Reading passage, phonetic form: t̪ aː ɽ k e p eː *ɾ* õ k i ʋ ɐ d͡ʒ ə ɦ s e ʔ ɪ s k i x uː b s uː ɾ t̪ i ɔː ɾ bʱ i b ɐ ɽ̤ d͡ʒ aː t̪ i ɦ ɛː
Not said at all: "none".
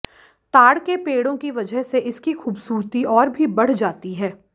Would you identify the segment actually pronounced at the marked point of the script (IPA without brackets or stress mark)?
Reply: ɽ